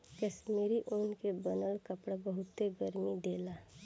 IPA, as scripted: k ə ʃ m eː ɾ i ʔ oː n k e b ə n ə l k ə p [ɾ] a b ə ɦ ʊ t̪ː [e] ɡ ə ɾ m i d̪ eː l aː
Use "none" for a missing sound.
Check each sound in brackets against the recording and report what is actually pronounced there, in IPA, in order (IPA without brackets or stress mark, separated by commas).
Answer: ɽ, e